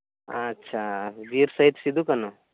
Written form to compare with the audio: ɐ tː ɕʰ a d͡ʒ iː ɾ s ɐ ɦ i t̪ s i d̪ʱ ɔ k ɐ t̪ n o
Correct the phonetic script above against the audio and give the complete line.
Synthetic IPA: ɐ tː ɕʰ a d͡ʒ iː ɾ s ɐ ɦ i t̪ s i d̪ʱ u k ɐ n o